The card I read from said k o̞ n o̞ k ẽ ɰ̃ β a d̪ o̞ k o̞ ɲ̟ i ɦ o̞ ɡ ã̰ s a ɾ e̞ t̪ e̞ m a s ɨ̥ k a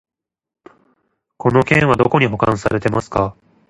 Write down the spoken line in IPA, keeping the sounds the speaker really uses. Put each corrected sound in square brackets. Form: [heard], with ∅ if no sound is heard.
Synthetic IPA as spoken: k o̞ n o̞ k ẽ ɰ̃ β a d̪ o̞ k o̞ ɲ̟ i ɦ o̞ [k] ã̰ s a ɾ e̞ t̪ e̞ m a s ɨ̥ k a